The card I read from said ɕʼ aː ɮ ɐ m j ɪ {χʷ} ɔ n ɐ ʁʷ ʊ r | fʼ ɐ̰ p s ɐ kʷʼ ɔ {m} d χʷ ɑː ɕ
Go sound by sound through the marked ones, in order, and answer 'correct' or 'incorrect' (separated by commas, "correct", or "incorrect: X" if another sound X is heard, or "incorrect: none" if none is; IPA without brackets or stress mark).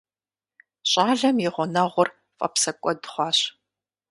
incorrect: ʁʷ, incorrect: none